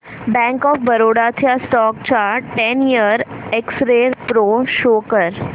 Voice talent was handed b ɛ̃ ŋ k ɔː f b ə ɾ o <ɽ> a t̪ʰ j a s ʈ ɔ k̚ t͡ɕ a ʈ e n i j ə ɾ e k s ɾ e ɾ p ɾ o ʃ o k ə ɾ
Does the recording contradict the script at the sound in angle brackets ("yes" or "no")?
no